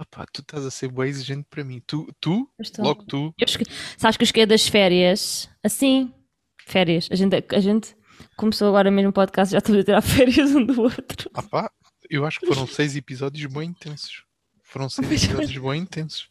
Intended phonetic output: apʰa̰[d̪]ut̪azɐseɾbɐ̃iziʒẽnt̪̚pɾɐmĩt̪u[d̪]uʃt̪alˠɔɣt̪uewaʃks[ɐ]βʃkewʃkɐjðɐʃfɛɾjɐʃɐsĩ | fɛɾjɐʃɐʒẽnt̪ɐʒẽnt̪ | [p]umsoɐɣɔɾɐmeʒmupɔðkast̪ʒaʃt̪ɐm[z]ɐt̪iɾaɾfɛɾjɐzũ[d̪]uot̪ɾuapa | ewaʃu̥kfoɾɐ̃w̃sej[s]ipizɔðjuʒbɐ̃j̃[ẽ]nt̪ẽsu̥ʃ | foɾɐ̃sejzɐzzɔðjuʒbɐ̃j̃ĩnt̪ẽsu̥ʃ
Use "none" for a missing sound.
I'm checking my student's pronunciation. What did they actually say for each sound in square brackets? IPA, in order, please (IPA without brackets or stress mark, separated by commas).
t̪, t̪, a, k, z, d̪, z, ĩ